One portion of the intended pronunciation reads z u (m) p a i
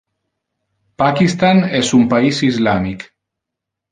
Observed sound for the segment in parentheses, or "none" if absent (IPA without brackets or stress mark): m